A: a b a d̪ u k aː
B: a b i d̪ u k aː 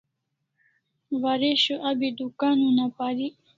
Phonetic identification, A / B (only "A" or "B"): B